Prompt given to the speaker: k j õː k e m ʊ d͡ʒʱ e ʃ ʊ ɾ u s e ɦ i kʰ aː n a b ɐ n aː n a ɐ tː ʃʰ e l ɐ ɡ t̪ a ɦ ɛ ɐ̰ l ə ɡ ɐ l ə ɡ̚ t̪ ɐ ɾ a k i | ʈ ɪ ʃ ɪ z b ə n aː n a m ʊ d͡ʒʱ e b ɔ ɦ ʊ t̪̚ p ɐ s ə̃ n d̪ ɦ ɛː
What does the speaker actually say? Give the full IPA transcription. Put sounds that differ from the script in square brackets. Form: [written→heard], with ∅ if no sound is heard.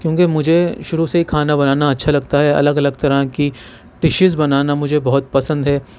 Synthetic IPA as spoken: k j õː k e m ʊ d͡ʒʱ e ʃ ʊ ɾ u s e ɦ i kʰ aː n a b ɐ n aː n a ɐ tː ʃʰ [e→a] l ɐ ɡ t̪ a ɦ ɛ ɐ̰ l ə ɡ ɐ l ə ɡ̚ t̪ ɐ ɾ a k i | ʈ ɪ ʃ ɪ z b [ə→ɐ] n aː n a m ʊ d͡ʒʱ e b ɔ ɦ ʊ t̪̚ p ɐ s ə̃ n d̪ ɦ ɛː